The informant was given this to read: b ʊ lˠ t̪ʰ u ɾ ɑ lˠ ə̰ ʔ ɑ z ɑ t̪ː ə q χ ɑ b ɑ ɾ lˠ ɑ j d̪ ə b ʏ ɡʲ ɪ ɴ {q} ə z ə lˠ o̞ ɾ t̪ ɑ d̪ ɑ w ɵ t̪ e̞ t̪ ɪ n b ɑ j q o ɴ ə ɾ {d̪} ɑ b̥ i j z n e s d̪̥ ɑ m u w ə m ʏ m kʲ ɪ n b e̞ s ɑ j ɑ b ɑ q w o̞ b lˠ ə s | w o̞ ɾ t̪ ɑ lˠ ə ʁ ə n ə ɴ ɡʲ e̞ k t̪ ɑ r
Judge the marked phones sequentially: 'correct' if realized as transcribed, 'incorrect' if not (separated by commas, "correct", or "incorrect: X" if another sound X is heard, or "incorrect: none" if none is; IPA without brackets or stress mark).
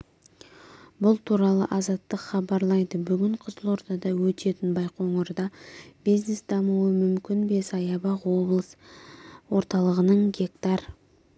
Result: incorrect: qʰ, correct